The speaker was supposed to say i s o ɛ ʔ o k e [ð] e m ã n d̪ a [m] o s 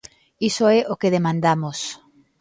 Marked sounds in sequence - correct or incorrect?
correct, correct

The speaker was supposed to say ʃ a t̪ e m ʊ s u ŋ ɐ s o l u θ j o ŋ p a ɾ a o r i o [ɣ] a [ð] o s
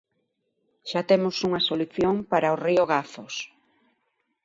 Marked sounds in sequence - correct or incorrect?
correct, incorrect: θ

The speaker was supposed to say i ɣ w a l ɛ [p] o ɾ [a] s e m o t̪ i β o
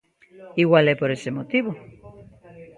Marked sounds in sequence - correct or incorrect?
correct, incorrect: e

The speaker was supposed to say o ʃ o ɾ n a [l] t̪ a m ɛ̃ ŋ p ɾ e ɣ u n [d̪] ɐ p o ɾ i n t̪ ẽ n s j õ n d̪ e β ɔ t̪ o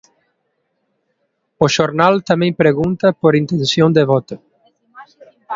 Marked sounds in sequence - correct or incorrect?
correct, incorrect: t̪

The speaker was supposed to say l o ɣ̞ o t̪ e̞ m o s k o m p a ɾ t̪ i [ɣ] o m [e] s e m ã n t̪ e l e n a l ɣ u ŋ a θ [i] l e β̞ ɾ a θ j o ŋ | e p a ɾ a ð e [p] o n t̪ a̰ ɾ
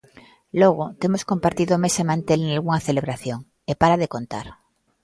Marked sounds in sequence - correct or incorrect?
incorrect: ð, correct, incorrect: e, incorrect: k

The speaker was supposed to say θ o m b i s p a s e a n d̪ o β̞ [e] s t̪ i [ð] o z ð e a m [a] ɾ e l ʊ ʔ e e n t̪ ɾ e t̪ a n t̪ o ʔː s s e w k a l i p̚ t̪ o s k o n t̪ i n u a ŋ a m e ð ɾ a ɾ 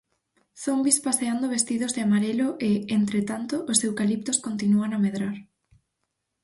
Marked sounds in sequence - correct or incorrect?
correct, correct, correct

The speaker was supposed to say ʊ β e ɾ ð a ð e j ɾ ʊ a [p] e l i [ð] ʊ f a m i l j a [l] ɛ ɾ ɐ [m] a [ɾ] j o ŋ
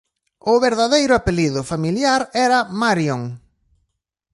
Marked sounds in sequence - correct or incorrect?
correct, correct, incorrect: ɾ, correct, correct

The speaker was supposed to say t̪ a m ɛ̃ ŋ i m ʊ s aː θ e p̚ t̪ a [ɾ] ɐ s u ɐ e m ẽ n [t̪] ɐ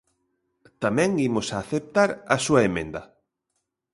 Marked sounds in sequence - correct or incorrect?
correct, incorrect: d̪

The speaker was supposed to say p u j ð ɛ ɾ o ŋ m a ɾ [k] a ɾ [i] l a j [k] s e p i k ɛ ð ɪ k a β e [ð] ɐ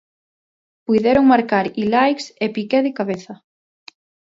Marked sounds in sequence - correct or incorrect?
correct, correct, correct, incorrect: θ

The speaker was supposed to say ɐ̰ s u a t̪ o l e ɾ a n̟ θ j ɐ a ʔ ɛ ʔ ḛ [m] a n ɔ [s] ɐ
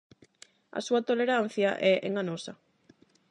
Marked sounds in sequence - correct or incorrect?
incorrect: ŋ, correct

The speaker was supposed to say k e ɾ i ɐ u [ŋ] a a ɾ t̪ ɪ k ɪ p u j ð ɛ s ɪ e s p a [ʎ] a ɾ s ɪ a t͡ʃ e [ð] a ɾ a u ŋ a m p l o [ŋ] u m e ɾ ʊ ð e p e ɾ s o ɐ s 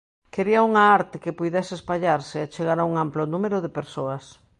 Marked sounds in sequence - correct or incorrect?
correct, correct, incorrect: ɣ, incorrect: n

